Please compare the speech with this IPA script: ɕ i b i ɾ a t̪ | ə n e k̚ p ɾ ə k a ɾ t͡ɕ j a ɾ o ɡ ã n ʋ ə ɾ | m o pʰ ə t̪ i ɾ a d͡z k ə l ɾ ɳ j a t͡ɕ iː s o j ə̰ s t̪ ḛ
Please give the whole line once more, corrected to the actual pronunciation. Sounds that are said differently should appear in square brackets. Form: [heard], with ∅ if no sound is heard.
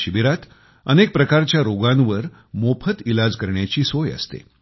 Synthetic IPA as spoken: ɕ i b i ɾ a t̪ | ə n e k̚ p ɾ ə k a ɾ t͡ɕ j a ɾ o ɡ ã n ʋ ə ɾ | m o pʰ ə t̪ i [l] a d͡z k ə [∅] ɾ ɳ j a t͡ɕ iː s o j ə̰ s t̪ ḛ